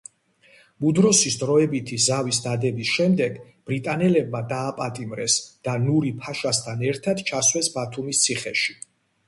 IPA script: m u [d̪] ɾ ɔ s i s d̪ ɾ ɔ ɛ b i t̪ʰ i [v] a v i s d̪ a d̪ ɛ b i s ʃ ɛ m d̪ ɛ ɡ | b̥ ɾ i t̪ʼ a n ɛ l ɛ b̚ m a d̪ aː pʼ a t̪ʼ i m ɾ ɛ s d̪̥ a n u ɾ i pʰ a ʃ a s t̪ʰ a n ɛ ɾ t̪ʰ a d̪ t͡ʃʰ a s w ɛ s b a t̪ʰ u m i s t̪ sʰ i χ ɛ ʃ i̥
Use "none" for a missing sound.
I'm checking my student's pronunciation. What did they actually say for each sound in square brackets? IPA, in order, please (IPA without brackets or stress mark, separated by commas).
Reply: d̪, z